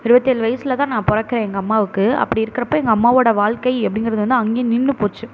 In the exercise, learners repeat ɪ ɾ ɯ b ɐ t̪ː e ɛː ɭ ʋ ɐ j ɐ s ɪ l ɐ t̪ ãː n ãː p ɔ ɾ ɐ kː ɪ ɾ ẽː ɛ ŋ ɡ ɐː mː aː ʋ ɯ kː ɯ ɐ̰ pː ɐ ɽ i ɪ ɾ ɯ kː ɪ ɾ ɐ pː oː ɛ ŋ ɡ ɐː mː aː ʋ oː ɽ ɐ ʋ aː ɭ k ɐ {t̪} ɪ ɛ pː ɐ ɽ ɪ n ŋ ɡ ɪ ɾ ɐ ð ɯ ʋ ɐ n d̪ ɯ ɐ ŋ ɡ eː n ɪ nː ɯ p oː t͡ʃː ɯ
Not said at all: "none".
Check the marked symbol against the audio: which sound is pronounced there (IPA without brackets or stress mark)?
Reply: none